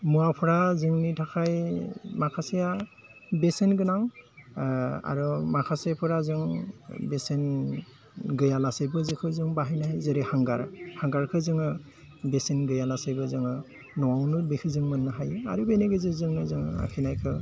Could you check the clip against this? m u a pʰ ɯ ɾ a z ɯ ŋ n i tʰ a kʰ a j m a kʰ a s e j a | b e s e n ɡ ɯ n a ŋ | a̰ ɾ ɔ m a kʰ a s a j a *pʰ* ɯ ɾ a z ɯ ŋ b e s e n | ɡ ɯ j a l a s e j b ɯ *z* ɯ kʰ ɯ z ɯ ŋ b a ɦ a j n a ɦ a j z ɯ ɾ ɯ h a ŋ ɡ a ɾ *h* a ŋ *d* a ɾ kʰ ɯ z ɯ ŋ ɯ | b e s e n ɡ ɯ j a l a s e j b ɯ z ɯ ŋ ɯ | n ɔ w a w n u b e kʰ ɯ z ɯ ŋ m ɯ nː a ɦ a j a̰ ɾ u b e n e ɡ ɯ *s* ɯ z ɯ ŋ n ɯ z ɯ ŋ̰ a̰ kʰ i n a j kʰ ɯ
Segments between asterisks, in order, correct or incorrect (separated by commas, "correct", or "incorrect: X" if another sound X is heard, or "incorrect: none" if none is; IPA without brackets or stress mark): correct, correct, correct, incorrect: ɡ, incorrect: z